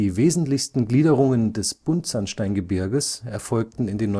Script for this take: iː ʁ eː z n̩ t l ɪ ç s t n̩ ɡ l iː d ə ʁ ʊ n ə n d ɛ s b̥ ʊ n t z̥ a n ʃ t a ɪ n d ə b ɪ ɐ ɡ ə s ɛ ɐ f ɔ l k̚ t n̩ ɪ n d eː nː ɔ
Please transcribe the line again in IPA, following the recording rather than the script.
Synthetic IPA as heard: iː v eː z n̩ t l ɪ ç s t n̩ ɡ l iː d ə ʁ ʊ ŋ ə n d ɛ s b̥ ʊ n t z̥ a n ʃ t a ɪ n ɡ ə b ɪ ɐ ɡ ə s ɛ ɐ f ɔ l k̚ t n̩ ɪ n d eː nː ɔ